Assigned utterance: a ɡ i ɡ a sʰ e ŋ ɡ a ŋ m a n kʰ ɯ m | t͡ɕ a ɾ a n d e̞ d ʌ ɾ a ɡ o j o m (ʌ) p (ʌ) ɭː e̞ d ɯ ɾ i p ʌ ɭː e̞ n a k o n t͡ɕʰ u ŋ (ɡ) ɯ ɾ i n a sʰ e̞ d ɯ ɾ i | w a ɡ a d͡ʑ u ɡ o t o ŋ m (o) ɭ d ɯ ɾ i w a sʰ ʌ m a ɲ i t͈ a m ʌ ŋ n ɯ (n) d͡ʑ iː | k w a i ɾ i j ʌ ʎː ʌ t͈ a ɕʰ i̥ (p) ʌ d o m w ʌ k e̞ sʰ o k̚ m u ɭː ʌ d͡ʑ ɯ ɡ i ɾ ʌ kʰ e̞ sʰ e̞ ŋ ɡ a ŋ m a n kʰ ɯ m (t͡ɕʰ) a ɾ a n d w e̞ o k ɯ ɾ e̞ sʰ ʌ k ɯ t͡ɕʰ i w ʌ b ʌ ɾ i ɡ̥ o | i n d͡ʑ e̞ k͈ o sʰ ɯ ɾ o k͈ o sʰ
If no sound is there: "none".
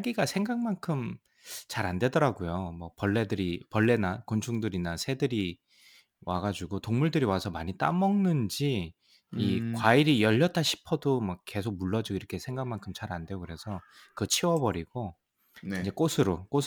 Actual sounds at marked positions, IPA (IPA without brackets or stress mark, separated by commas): ʌ, ʌ, d, u, n, pʰ, t͡ɕ